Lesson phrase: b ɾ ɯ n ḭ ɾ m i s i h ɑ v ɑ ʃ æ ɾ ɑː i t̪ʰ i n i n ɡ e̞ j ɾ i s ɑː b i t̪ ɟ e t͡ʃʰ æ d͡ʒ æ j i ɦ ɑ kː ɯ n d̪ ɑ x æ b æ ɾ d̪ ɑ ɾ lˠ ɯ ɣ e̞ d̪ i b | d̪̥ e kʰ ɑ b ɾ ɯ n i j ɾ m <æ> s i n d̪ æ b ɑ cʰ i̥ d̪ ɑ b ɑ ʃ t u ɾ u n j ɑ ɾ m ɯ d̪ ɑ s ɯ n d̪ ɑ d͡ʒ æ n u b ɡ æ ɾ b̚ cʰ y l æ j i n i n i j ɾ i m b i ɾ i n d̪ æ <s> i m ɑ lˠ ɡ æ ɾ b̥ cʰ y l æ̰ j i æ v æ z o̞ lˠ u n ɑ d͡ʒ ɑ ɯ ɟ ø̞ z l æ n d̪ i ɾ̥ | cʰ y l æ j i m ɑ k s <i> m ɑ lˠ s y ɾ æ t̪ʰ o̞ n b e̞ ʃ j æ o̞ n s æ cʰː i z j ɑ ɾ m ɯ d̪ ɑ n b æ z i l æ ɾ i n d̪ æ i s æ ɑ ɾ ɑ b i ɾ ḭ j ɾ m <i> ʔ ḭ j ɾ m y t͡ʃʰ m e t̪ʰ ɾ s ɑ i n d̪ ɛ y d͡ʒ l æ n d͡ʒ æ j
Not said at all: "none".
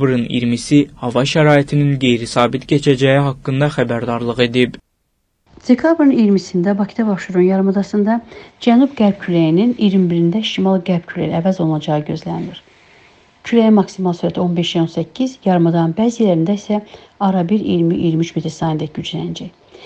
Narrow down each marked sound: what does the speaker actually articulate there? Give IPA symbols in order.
i, ʃ, i, i

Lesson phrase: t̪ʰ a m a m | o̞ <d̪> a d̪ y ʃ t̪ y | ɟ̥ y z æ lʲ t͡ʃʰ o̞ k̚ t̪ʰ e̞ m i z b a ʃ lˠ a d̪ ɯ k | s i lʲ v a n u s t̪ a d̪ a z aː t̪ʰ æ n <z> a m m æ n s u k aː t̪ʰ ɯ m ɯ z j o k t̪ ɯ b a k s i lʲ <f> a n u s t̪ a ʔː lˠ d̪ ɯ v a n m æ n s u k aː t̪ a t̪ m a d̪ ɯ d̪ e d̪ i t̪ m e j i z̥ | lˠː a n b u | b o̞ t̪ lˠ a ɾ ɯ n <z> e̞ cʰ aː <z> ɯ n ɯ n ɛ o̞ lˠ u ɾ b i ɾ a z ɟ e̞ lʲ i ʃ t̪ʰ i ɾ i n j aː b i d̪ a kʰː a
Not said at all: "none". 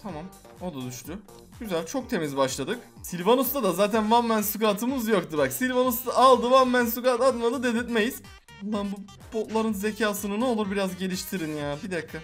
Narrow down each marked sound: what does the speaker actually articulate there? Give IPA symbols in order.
d̪, v, v, z, s

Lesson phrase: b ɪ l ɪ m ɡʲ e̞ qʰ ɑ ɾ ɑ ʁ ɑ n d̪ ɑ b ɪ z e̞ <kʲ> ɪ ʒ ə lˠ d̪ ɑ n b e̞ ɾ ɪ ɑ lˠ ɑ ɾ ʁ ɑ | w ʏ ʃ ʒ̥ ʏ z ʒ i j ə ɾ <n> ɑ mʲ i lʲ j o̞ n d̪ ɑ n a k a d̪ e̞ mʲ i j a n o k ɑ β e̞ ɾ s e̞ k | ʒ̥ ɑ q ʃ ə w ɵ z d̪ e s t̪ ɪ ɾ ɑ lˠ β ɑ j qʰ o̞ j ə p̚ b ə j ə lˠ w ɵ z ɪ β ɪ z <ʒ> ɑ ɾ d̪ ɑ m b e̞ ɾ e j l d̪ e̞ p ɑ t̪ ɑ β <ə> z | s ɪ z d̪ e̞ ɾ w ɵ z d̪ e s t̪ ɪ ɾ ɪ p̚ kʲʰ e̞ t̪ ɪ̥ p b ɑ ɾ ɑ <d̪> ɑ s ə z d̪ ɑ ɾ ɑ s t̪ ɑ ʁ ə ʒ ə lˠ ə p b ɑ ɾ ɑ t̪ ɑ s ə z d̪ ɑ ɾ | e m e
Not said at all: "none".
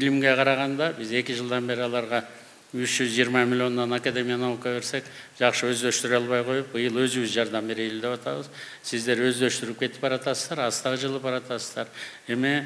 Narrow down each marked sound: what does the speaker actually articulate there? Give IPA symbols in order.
kʲ, m, ʒ, ə, t̪

